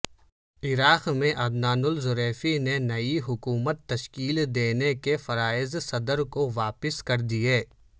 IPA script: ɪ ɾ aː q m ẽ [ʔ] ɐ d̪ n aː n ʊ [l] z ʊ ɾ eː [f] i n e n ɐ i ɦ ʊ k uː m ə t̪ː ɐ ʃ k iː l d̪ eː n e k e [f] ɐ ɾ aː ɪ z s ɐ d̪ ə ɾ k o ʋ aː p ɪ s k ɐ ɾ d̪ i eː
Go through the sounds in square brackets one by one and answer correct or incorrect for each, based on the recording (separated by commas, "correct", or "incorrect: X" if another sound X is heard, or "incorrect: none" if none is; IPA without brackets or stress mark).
correct, correct, correct, correct